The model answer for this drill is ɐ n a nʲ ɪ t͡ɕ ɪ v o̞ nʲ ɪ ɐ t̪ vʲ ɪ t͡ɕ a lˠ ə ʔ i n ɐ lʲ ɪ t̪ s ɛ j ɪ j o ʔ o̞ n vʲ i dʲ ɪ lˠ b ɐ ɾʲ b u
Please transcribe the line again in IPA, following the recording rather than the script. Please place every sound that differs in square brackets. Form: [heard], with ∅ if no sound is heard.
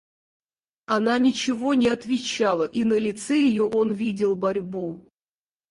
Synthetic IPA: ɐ n a nʲ ɪ t͡ɕ ɪ v o̞ nʲ ɪ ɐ t̪ vʲ ɪ t͡ɕ a lˠ ə ʔ i n [ə] lʲ ɪ t̪ s ɛ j ɪ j o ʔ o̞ n vʲ i dʲ ɪ lˠ b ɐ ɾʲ b u